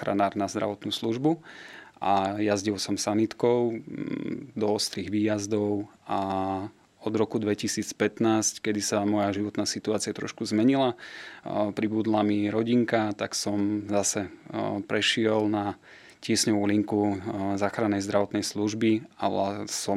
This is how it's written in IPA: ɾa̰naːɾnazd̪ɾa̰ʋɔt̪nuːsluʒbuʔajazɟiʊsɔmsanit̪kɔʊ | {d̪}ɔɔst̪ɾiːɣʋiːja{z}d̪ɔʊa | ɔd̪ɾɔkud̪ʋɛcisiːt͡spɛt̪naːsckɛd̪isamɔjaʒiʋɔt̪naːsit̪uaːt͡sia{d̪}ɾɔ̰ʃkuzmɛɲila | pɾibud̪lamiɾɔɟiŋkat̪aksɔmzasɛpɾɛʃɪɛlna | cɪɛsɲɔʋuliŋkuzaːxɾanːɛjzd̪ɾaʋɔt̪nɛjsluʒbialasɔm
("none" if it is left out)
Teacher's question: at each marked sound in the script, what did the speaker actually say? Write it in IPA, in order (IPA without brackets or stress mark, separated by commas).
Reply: d̪, z, t̪